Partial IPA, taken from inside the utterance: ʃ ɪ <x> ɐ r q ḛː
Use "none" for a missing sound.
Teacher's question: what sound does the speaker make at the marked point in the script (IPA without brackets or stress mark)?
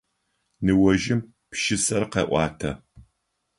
s